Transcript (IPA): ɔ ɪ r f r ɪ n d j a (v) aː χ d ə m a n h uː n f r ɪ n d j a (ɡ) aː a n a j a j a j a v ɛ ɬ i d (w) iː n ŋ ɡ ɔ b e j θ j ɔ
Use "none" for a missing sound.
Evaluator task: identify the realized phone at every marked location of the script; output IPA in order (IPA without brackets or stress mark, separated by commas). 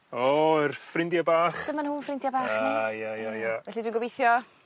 b, b, w